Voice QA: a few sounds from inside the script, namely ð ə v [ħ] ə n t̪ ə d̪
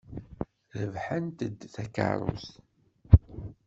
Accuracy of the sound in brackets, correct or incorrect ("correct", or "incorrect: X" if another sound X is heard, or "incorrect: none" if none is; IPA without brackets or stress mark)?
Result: correct